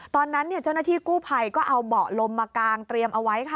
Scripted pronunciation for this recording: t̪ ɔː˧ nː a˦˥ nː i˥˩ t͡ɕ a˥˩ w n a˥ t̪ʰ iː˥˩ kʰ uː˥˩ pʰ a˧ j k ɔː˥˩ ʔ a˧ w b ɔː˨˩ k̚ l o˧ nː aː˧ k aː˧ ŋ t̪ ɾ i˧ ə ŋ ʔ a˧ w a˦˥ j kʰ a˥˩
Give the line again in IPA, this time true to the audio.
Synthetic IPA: t̪ ɔː˧ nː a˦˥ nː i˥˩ t͡ɕ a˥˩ w n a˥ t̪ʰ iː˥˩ k uː˥˩ pʰ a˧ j k ɔː˥˩ ʔ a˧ w b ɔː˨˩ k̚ l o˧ mː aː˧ k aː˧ ŋ t̪ ɾ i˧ ə m ʔ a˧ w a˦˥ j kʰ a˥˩